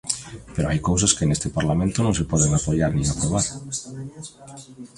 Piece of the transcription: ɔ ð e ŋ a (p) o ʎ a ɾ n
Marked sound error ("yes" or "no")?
no